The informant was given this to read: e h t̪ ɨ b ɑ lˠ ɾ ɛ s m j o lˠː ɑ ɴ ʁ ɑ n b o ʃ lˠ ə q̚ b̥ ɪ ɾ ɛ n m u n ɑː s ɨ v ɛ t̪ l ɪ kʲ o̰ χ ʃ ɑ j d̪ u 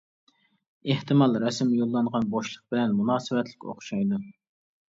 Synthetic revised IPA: e h t̪ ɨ m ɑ lˠ ɾ ɛ s m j o lˠː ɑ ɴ ʁ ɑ n b o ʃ lˠ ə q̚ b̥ ɪ l ɛ n m u n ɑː s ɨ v ɛ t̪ l ɪ kʲ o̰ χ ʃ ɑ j d̪ u